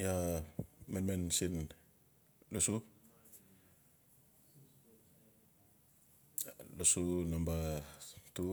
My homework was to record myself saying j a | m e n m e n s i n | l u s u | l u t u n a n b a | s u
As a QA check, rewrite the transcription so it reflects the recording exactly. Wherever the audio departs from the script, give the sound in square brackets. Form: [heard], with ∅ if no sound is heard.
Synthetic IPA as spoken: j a | m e n m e n s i n | l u s u | l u [s] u n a [m] b a | [t] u